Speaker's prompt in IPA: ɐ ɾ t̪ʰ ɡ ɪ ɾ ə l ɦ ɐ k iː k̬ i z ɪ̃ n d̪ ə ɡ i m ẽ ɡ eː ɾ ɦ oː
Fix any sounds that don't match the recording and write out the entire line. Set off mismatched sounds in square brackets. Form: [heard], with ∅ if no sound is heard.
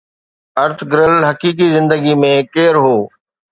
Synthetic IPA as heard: ɐ ɾ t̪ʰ ɡ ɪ ɾ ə l ɦ ɐ k iː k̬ i z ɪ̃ n d̪ ə ɡ i m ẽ [k] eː ɾ ɦ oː